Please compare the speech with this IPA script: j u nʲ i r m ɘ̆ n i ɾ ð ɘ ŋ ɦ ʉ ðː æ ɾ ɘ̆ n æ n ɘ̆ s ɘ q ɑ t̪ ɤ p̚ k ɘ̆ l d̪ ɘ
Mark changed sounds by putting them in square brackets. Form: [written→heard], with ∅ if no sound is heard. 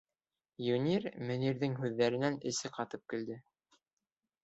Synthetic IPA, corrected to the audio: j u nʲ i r m ɘ̆ n i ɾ ð ɘ ŋ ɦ ʉ ðː æ ɾ ɘ̆ n æ n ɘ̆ s ɘ q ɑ t̪ ɤ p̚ k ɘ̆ l d̪ ɘ